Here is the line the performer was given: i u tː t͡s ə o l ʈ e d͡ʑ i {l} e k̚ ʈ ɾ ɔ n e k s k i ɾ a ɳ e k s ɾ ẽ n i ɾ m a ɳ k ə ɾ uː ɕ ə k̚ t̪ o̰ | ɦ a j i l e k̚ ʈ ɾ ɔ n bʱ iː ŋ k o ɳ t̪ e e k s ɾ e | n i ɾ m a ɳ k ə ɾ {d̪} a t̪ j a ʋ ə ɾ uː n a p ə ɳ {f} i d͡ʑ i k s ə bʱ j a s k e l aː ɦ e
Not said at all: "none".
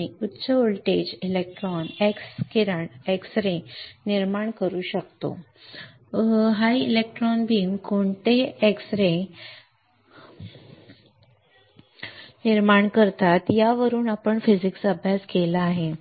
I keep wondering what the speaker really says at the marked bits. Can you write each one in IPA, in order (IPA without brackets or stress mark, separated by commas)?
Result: l, t̪, f